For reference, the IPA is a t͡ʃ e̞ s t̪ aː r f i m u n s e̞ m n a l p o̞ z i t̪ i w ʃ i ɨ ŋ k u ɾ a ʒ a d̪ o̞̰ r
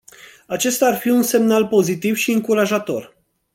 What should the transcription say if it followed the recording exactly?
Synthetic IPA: a t͡ʃ e̞ s t̪ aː r f i u n s e̞ m n a l p o̞ z i t̪ i v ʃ i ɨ ŋ k u ɾ a ʒ a t̪ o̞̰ r